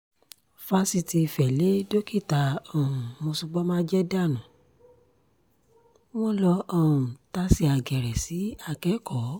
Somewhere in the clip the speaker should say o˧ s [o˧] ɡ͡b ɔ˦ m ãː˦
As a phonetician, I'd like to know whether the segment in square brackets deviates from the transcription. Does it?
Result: yes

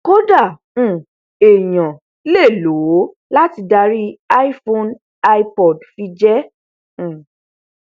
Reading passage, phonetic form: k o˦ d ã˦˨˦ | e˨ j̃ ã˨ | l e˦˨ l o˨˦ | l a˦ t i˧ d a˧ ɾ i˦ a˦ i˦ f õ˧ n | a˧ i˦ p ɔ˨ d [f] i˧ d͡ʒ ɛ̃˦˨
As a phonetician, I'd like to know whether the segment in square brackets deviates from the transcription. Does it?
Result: no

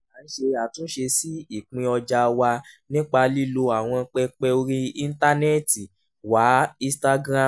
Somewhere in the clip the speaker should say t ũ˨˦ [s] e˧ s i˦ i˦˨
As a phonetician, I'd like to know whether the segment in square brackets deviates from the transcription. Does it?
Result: yes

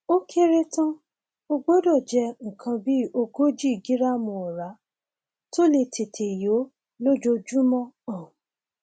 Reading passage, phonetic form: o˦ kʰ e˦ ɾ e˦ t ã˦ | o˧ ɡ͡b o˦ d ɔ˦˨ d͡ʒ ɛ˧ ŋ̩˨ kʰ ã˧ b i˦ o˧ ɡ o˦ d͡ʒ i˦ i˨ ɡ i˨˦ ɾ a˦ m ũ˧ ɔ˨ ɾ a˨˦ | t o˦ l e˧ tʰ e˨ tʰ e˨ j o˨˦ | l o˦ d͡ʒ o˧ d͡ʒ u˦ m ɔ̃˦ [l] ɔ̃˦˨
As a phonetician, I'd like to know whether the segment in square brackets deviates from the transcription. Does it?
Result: yes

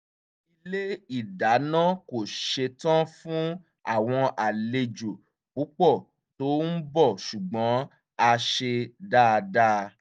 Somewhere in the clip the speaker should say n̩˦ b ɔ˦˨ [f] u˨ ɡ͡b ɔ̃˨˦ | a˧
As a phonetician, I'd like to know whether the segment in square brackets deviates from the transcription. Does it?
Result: yes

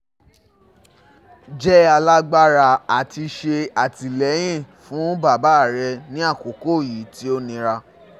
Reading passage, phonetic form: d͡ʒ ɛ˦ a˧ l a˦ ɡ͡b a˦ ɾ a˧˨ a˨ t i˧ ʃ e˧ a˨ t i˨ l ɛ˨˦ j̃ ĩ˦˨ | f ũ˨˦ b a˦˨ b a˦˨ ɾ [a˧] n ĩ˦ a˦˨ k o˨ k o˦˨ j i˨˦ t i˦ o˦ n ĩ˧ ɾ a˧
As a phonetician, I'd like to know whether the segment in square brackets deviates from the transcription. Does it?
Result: yes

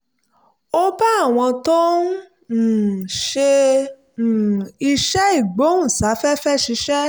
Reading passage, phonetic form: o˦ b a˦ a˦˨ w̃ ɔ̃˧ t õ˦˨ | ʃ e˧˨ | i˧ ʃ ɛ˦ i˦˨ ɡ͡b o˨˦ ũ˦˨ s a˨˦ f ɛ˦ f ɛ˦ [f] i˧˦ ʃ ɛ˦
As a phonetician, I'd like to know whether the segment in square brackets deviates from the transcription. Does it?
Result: yes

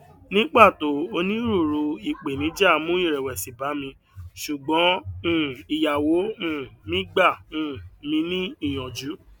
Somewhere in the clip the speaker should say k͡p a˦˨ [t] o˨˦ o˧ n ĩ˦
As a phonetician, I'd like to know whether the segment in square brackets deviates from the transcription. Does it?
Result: no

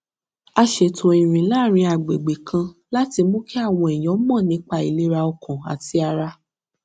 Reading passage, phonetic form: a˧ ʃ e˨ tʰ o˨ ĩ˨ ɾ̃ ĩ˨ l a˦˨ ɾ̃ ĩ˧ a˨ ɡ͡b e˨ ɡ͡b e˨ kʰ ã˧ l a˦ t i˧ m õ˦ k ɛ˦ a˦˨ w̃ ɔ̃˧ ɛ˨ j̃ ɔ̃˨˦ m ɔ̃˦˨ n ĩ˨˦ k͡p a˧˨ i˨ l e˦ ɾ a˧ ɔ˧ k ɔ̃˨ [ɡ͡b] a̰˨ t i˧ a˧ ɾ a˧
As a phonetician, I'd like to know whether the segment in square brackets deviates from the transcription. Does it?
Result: yes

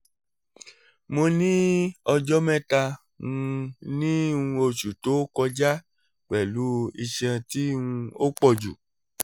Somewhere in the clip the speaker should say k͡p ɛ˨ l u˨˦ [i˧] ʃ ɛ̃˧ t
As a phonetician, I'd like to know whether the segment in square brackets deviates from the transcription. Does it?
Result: no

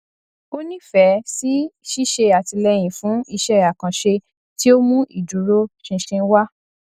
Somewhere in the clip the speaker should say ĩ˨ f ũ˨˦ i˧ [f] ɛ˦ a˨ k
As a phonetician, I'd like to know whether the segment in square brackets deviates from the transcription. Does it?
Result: yes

